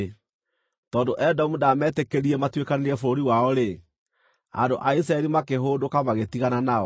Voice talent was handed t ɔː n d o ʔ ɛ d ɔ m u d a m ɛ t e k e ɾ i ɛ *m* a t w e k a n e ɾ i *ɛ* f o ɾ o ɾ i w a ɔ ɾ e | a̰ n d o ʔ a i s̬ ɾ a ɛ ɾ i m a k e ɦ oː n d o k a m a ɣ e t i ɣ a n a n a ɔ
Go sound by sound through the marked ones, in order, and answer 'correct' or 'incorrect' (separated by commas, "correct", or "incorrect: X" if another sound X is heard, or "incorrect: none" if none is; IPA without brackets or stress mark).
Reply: correct, correct